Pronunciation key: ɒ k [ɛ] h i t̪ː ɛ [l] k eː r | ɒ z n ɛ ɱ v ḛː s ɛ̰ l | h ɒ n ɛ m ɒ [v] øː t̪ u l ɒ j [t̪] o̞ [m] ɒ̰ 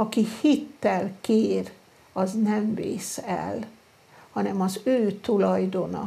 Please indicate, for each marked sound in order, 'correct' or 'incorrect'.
incorrect: i, correct, incorrect: z, incorrect: d̪, incorrect: n

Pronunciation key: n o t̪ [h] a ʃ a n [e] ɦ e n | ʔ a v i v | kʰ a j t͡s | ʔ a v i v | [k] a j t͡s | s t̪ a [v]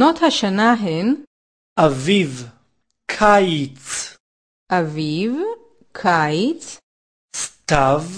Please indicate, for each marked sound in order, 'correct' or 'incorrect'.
correct, incorrect: a, incorrect: kʰ, correct

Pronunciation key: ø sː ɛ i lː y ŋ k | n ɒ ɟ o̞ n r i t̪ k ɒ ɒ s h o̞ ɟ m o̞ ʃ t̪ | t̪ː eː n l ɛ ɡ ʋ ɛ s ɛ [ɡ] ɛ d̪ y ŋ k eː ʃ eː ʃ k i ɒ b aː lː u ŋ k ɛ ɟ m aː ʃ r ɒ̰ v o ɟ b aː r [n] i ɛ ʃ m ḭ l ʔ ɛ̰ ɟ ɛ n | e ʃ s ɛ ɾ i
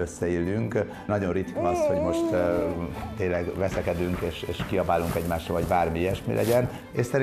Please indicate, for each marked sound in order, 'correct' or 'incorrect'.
incorrect: k, incorrect: m

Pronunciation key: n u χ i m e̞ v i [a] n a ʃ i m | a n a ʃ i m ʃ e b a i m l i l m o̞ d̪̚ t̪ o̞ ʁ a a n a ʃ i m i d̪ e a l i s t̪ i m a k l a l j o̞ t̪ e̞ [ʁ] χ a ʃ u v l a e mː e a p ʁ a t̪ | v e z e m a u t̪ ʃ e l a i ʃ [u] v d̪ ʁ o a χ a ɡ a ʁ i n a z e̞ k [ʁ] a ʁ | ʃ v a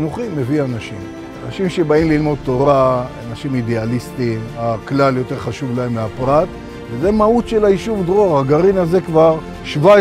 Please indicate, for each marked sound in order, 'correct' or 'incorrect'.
correct, correct, correct, incorrect: v

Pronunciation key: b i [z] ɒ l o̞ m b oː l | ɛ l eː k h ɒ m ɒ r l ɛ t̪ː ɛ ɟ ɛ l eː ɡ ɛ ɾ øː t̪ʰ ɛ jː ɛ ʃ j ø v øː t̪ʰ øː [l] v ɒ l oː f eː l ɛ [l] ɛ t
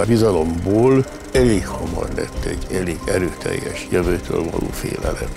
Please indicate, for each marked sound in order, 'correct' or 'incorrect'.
correct, correct, correct

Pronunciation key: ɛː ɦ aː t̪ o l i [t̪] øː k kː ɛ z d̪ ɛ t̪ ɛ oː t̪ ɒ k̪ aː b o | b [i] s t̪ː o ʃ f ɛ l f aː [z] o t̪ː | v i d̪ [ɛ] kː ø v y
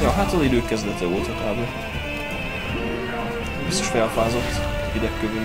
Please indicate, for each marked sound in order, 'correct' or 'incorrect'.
incorrect: d̪, correct, correct, correct

